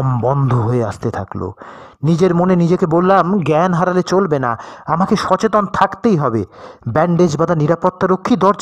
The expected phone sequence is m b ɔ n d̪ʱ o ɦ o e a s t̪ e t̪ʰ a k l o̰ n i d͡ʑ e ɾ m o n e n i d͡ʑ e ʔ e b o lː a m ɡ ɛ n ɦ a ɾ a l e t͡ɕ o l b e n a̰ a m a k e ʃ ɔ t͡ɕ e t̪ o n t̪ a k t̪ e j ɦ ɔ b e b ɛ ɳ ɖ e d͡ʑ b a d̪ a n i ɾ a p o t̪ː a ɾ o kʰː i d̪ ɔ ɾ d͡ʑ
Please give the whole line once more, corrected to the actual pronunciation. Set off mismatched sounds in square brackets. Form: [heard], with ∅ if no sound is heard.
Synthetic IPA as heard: m b ɔ n d̪ʱ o ɦ o e a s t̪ e t̪ʰ a k l o̰ n i d͡ʑ e ɾ m o n e n i d͡ʑ e [k] e b o lː a m ɡ ɛ n ɦ a ɾ a l e t͡ɕ o l b e n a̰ a m a k e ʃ ɔ t͡ɕ e t̪ o n [t̪ʰ] a k t̪ e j ɦ ɔ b e b ɛ ɳ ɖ e d͡ʑ b a d̪ a n i ɾ a p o t̪ː a ɾ o kʰː i d̪ ɔ ɾ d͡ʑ